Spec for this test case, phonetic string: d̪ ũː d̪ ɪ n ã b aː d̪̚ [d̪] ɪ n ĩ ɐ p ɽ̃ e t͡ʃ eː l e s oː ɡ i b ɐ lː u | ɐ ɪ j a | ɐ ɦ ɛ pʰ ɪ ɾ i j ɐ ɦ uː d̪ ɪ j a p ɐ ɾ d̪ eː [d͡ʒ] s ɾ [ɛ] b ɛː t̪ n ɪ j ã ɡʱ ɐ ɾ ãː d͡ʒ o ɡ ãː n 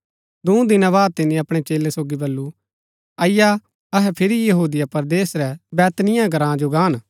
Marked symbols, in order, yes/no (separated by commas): no, no, yes